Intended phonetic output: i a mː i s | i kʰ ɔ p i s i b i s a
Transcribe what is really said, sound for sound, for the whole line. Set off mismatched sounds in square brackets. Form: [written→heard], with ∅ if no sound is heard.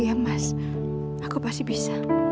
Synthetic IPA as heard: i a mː [i→a] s | [i→a] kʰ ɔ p [i→a] s i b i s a